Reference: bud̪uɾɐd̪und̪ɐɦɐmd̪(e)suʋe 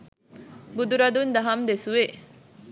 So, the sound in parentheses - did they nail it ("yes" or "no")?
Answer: yes